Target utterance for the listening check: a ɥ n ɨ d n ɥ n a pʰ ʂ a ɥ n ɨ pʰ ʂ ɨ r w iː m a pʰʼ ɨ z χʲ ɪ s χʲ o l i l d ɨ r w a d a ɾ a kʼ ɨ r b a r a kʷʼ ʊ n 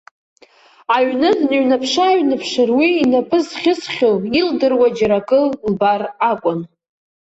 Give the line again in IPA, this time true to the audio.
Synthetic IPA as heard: a ɥ n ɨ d n ɥ n a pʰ ʂ a ɥ n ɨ pʰ ʂ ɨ r w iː n a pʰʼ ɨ z χʲ ɪ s χʲ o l i l d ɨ r w a d͡ʒ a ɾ a kʼ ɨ l b a r a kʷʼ ʊ n